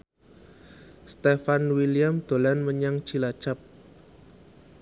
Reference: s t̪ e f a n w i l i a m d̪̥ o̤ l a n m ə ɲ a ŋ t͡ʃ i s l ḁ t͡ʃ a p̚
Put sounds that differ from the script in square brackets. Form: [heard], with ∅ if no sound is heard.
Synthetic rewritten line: s t̪ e f a n w i l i a m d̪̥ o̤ l a n m ə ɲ a ŋ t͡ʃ i [∅] l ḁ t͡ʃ a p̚